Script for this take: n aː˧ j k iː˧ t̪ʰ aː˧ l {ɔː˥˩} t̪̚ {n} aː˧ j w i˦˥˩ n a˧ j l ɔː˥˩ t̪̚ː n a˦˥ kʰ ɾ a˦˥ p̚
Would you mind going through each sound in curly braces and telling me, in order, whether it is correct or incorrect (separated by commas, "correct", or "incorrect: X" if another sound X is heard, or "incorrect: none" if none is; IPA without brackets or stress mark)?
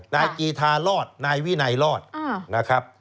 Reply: correct, correct